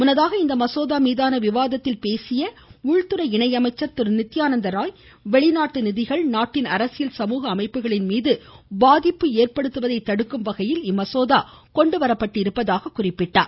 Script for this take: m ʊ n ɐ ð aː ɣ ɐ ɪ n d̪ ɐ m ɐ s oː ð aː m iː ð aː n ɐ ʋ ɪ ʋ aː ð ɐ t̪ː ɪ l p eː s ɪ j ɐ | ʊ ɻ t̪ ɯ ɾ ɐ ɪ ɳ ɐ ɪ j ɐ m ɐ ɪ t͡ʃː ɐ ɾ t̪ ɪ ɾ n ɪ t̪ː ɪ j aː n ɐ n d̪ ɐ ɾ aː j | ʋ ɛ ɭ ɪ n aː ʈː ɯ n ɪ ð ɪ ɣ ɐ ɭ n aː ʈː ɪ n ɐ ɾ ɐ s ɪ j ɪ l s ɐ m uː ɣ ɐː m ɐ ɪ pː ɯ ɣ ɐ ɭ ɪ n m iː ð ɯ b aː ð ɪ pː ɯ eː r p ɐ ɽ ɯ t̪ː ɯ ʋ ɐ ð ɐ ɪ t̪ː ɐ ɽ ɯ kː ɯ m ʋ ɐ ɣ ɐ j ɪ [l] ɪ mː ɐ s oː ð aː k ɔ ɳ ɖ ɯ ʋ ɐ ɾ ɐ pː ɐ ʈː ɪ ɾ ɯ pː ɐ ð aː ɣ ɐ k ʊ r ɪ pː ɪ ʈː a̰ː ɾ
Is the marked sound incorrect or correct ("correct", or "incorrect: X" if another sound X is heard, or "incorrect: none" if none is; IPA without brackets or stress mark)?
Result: correct